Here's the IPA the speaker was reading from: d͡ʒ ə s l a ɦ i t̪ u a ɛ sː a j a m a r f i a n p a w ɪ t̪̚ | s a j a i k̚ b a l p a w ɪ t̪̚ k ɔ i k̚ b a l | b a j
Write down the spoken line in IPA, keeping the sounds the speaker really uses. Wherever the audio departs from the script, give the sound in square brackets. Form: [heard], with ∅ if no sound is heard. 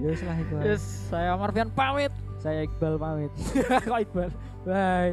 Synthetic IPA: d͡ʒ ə s l a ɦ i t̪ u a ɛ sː a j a m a r f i a n p a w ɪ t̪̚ | s a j a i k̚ b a l p a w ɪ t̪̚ k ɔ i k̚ b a l | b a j